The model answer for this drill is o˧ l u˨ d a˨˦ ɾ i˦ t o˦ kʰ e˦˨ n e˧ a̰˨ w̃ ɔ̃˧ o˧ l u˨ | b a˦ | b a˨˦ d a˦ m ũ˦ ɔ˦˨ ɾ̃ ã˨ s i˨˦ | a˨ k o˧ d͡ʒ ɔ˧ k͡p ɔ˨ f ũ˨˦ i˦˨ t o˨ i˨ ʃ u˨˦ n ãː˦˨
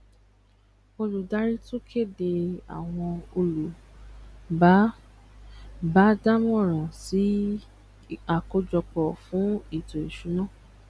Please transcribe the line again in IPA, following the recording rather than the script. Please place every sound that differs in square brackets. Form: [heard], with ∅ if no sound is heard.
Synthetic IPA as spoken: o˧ l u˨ d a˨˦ ɾ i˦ t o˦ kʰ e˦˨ [d] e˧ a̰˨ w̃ ɔ̃˧ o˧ l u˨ | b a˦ | b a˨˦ d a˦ m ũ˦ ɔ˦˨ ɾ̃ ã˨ s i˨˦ | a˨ k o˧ d͡ʒ ɔ˧ k͡p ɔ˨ f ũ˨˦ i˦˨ t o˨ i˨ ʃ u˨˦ n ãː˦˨